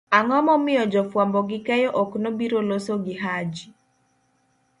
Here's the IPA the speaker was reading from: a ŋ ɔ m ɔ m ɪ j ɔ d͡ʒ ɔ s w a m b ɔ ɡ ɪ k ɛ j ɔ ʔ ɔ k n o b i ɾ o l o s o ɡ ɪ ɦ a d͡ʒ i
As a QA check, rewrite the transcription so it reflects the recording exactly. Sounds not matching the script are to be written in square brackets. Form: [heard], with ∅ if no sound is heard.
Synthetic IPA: a ŋ ɔ m ɔ m ɪ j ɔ d͡ʒ ɔ [f] w a m b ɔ ɡ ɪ k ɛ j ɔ ʔ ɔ k n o b i ɾ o l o s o ɡ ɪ ɦ a d͡ʒ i